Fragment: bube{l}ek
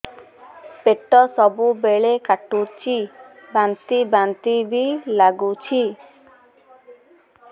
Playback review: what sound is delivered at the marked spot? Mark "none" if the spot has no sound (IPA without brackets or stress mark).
ɭ